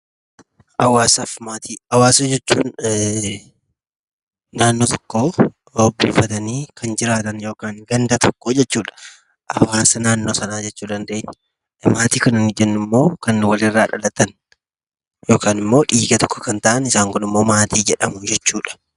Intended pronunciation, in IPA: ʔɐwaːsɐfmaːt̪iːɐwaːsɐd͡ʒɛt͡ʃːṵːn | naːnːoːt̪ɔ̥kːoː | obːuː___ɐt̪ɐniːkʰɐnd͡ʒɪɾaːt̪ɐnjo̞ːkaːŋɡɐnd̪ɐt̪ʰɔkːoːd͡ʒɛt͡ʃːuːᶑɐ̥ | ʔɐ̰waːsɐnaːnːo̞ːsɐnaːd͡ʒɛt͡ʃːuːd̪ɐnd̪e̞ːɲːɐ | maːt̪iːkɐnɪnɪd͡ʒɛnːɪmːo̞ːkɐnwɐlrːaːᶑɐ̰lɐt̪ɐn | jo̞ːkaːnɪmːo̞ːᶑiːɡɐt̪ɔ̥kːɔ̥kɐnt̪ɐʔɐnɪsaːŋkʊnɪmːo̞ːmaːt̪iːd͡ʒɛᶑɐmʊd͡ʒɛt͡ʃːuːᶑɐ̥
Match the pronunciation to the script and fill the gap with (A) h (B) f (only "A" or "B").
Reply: B